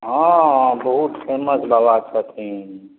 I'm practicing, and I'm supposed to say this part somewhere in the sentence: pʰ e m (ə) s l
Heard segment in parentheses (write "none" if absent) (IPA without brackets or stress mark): ə